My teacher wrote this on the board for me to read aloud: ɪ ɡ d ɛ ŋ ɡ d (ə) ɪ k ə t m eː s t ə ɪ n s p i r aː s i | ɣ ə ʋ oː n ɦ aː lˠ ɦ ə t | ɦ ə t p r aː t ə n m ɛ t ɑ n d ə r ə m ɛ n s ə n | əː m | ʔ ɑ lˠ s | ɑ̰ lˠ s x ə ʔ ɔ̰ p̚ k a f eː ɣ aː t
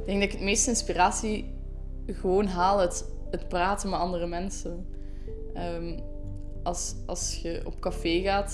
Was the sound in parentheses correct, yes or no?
no